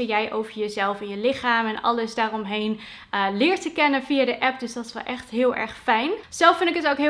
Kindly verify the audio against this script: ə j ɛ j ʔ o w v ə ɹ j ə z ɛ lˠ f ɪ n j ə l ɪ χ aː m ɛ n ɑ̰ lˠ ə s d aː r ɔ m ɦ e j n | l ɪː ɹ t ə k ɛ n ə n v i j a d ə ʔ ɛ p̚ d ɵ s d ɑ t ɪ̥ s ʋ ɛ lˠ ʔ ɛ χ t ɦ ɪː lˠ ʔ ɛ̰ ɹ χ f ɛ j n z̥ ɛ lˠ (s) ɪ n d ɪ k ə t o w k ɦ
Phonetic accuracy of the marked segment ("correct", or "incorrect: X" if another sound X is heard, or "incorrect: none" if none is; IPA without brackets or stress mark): incorrect: f